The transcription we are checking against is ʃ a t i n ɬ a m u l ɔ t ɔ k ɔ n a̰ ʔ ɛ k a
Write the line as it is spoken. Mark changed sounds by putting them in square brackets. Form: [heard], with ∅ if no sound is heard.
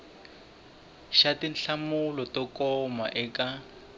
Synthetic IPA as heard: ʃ a t i n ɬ a m u l ɔ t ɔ k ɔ [m] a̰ ʔ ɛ k a